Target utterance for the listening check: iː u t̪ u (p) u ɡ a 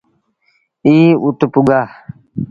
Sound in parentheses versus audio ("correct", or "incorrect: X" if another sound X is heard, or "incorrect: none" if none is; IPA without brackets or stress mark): correct